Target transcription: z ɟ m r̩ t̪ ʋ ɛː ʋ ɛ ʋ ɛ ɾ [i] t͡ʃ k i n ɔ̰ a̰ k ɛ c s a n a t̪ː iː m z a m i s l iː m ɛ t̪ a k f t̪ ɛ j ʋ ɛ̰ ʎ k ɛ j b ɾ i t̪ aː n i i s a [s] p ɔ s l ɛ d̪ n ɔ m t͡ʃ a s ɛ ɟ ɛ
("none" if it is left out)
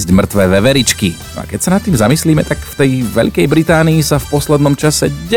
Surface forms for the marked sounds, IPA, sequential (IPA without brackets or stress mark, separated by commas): i, f